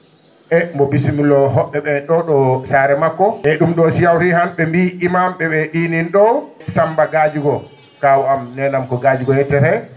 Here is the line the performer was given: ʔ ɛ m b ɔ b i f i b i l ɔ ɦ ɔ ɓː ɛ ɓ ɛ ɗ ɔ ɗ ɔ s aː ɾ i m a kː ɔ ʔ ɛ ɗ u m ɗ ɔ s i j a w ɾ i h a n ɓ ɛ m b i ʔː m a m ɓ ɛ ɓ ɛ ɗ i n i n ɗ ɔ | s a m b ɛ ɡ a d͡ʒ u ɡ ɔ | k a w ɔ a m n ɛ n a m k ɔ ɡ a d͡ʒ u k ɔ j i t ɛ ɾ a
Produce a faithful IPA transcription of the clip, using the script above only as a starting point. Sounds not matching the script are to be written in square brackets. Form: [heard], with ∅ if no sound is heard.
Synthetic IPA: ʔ ɛ m b ɔ b i [s] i [m] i l ɔ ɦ ɔ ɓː ɛ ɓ ɛ ɗ ɔ ɗ ɔ s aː ɾ [ɛ] m a kː ɔ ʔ ɛ ɗ u m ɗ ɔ s i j a w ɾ i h a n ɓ ɛ m b i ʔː m a m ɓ ɛ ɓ ɛ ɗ i n i n ɗ ɔ | s a m b [a] ɡ a d͡ʒ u ɡ ɔ | k a w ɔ a m n ɛ n a m k ɔ ɡ a d͡ʒ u [ɡ] ɔ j [ɛ] t ɛ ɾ [ɛ]